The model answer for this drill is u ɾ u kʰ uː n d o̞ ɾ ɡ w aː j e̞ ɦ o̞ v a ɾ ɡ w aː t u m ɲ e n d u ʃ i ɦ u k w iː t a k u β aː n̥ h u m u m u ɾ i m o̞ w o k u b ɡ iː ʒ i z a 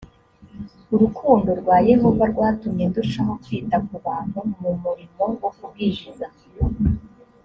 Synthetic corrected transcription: u ɾ u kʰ uː n d o̞ ɾ ɡ w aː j e̞ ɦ o̞ v a ɾ ɡ w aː t u m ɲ e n d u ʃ a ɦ o k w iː t a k u β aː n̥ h u m u m u ɾ i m o̞ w o k u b ɡ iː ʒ i z a